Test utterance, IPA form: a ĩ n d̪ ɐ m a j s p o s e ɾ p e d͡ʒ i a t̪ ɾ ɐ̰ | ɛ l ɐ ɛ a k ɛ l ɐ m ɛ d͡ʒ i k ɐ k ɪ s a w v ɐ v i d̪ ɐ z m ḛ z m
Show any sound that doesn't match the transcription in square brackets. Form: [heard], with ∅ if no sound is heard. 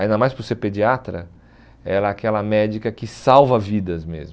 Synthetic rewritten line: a ĩ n d̪ ɐ m a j s p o s e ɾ p e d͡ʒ i a t̪ ɾ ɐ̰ | ɛ l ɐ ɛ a k ɛ l ɐ m ɛ d͡ʒ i k ɐ k ɪ s a w v ɐ v i d̪ ɐ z m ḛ z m